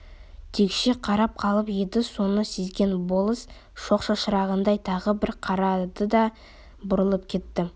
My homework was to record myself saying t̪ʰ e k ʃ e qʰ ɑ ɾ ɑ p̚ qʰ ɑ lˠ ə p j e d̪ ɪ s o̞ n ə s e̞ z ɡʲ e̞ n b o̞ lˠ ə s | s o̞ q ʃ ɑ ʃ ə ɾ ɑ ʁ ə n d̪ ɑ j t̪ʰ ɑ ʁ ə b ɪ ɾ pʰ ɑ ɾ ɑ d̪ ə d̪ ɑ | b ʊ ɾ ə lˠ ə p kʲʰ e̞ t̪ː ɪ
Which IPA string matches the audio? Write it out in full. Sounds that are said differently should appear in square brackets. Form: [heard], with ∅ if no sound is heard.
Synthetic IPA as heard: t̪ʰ e k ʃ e qʰ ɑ ɾ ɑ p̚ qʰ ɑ lˠ ə p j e d̪ ɪ s o̞ n ə s e̞ z ɡʲ e̞ n b o̞ lˠ ə s | [ʃ] o̞ q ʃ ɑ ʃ ə ɾ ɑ ʁ ə n d̪ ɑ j t̪ʰ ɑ ʁ ə b ɪ ɾ [qʰ] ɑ ɾ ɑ d̪ ə d̪ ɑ | b ʊ ɾ ə lˠ ə p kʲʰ e̞ t̪ː ɪ